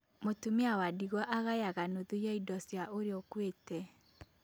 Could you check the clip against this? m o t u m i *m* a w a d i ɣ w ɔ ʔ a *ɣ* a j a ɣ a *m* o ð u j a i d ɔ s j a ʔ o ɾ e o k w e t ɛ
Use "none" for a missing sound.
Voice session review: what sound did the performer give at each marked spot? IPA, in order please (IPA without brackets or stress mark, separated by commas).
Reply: none, ɣ, n